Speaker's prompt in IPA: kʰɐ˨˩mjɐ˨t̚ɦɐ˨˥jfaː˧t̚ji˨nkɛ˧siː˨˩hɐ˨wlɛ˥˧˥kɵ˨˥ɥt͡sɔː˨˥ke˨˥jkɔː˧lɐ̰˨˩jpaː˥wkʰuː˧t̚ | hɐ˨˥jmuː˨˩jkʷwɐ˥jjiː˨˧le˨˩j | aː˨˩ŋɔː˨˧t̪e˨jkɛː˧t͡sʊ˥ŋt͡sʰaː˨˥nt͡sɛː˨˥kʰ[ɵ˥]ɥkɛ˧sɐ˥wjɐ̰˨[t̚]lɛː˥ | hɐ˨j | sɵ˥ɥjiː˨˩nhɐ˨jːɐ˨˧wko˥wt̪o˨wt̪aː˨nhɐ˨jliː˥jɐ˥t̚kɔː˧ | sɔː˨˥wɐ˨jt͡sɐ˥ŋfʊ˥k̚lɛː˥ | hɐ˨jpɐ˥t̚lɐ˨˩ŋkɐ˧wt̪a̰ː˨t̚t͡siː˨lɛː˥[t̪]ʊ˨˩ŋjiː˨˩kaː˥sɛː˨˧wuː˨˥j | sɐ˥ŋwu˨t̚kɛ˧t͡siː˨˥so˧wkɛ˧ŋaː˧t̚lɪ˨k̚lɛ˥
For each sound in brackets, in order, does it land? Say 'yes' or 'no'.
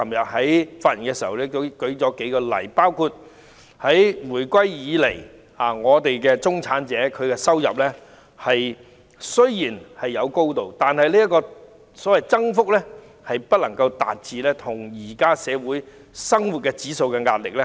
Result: no, no, no

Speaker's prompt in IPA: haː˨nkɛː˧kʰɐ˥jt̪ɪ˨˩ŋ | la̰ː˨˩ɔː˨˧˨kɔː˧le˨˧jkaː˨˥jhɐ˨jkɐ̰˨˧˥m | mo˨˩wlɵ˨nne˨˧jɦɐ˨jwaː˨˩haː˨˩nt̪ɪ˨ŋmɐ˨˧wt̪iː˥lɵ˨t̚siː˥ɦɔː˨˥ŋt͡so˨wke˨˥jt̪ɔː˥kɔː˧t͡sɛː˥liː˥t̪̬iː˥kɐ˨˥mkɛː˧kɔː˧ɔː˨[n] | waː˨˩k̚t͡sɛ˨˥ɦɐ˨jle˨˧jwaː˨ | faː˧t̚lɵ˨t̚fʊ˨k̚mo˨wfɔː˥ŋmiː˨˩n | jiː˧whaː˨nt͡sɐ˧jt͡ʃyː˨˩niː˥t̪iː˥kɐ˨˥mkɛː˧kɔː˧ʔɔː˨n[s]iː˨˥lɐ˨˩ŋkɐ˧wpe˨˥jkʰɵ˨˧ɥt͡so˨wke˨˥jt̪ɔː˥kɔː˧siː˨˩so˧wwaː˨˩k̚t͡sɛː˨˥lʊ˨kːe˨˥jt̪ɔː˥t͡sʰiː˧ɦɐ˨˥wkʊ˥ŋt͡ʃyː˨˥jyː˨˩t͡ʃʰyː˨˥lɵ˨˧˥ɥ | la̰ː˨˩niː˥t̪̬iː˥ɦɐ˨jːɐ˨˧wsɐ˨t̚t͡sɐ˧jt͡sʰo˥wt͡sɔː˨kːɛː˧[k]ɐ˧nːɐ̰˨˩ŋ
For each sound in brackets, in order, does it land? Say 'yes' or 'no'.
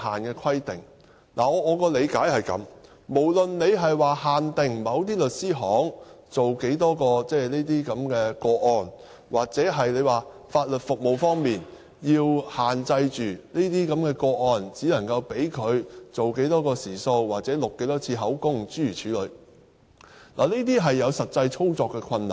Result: yes, no, no

